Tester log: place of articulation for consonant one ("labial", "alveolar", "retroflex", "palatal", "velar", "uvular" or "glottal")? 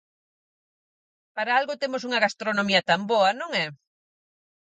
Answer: labial